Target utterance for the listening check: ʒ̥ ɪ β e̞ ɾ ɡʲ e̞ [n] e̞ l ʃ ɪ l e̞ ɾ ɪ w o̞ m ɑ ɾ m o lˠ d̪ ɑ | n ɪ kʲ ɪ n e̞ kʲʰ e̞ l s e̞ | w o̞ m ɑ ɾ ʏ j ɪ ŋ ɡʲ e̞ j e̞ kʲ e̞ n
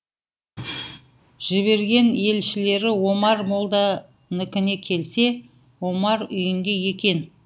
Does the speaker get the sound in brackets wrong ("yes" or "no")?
no